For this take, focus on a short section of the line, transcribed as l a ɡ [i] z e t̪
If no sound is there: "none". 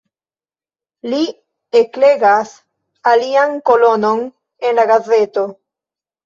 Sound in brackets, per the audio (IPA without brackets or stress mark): a